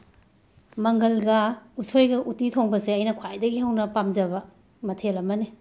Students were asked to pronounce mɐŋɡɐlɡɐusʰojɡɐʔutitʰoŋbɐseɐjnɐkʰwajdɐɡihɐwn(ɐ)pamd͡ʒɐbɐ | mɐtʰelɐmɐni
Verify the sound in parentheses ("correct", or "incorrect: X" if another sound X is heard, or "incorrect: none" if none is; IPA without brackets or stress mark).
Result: correct